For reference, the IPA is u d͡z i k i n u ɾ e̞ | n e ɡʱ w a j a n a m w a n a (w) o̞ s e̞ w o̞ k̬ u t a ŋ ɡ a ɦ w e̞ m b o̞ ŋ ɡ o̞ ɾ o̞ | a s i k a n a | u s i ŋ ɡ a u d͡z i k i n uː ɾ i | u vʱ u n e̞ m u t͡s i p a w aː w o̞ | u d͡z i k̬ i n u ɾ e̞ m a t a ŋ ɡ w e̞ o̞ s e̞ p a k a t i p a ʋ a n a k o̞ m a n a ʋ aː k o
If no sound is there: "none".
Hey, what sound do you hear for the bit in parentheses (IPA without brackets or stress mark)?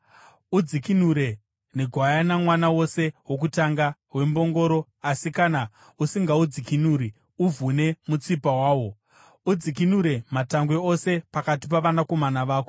w